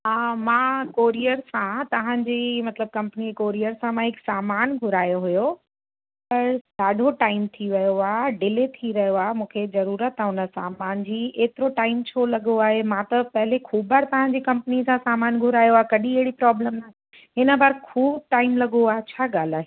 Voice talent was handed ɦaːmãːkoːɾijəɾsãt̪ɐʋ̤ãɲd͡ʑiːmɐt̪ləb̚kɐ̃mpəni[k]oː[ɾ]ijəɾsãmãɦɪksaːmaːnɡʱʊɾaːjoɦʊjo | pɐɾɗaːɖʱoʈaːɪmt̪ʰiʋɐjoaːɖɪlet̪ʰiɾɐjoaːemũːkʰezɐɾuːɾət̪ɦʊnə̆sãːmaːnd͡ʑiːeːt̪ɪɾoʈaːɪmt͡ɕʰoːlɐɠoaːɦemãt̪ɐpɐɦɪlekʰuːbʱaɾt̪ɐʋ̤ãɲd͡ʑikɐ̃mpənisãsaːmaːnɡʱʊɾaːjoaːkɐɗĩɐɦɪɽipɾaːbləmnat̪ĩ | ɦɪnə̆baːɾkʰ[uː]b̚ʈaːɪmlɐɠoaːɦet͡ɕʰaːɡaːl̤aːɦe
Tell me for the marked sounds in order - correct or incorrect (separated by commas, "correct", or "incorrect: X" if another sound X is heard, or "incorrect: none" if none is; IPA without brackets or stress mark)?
correct, correct, correct